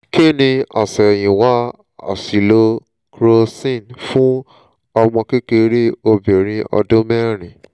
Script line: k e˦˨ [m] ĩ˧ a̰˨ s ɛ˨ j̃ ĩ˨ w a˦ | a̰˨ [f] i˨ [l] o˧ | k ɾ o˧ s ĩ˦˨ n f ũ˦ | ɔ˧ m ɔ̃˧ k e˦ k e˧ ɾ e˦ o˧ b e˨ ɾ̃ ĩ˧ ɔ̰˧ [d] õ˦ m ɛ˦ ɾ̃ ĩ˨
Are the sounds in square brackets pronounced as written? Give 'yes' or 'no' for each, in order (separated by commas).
no, no, yes, yes